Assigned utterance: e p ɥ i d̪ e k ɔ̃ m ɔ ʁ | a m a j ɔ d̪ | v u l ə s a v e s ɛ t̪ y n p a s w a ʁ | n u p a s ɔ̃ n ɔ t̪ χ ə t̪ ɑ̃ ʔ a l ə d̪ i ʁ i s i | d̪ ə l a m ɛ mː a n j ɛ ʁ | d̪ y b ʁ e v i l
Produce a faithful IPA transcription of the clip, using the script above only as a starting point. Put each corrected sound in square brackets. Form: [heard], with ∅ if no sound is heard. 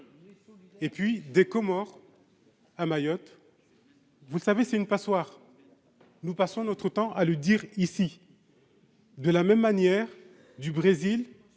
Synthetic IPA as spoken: e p ɥ i d̪ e k [ɔ] m ɔ ʁ | a m a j ɔ [t̪] | v u l ə s a v e s ɛ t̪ y n p a s w a ʁ | n u p a s ɔ̃ n ɔ t̪ χ ə t̪ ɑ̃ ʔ a l ə d̪ i ʁ i s i | d̪ ə l a m ɛ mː a n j ɛ ʁ | d̪ y b ʁ e [z] i l